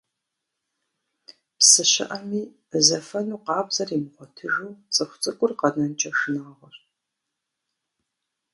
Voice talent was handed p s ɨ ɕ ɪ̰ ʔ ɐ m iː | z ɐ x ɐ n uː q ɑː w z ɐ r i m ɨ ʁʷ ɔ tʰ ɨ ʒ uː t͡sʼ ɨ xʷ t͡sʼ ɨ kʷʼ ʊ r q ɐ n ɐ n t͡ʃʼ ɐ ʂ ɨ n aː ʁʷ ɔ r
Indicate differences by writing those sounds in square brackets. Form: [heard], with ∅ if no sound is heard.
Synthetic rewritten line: p s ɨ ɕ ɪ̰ ʔ ɐ m iː | z ɐ [f] ɐ n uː q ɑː [b] z ɐ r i m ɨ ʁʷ ɔ tʰ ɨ ʒ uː t͡sʼ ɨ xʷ t͡sʼ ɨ kʷʼ ʊ r q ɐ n ɐ n t͡ʃʼ ɐ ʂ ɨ n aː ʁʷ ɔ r